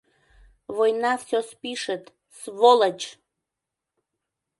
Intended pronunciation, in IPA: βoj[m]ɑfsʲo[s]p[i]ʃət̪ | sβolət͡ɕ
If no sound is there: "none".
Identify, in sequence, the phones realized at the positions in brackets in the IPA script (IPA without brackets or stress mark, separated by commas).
n, s, i